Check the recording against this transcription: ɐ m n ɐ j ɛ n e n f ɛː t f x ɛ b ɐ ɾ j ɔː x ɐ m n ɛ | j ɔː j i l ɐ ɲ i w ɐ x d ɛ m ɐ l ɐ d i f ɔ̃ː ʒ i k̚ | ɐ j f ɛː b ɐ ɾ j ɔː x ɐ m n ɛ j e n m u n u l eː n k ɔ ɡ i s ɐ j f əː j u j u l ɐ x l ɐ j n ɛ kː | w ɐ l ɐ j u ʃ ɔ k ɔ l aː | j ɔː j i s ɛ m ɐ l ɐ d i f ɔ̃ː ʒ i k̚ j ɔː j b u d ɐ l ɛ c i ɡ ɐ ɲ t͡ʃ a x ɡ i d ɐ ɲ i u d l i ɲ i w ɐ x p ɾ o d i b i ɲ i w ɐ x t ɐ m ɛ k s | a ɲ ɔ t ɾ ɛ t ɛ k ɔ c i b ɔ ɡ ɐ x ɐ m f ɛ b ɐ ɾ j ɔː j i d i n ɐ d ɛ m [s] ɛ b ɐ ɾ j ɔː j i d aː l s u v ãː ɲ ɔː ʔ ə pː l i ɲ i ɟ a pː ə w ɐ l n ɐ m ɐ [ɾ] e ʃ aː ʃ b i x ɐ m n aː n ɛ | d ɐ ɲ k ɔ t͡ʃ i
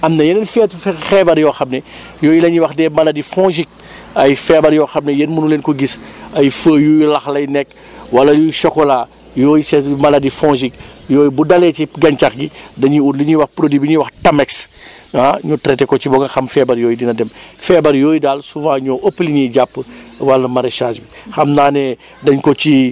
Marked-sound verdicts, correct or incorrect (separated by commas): incorrect, correct